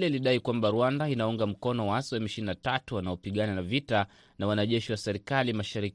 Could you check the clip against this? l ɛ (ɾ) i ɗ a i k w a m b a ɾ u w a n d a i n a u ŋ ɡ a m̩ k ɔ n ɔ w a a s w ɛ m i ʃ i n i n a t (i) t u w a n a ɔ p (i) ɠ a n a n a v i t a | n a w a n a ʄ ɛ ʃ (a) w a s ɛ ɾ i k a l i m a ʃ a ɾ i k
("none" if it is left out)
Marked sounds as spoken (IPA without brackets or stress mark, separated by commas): l, a, i, i